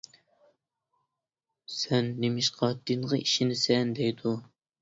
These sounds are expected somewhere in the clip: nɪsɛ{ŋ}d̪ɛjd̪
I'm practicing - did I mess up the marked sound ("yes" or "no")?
yes